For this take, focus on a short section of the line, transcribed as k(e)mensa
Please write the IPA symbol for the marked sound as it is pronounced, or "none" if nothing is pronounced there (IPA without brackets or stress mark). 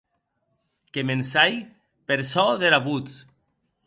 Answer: e